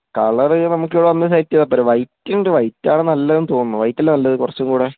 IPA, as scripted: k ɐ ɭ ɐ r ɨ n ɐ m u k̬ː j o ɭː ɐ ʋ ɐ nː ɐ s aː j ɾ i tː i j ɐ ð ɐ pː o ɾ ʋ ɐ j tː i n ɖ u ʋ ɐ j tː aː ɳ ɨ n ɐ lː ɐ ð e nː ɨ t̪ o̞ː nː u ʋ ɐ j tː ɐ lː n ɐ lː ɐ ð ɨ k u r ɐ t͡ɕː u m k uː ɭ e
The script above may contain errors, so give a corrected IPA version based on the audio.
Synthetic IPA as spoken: k ɐ ɭ ɐ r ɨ n ɐ m u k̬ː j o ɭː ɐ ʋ ɐ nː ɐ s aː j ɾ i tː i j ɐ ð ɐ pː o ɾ ʋ ɐ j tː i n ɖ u ʋ ɐ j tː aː ɳ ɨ n ɐ lː ɐ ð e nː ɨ t̪ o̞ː nː u ʋ ɐ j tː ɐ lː n ɐ lː ɐ ð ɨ k u r ɐ t͡ɕː u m k uː ɽ e